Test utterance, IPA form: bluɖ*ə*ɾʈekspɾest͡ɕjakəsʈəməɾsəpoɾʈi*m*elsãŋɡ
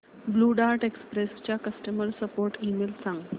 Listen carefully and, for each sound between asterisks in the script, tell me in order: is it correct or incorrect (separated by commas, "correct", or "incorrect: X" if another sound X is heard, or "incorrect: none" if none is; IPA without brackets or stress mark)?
incorrect: a, correct